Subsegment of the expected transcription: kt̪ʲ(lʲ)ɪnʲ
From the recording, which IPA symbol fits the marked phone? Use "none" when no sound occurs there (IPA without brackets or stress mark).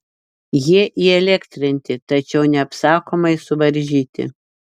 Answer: ɾʲ